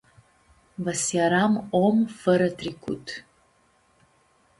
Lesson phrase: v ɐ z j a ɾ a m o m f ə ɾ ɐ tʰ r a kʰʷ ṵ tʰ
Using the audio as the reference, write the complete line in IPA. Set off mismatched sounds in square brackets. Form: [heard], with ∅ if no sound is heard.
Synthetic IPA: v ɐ [s] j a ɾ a m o m f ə ɾ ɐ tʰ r [i] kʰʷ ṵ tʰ